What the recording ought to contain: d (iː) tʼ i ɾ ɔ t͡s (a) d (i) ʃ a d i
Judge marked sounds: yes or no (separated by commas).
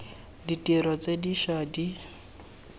no, no, yes